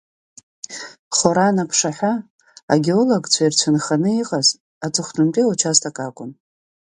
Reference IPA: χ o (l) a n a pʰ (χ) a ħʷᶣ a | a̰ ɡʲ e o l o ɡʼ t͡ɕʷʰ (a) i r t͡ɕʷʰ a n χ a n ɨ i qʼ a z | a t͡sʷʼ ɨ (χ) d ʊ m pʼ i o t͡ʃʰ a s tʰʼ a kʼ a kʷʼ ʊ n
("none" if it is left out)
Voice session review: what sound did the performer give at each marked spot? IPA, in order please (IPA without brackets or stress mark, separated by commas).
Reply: ɾ, ʂ, a, χ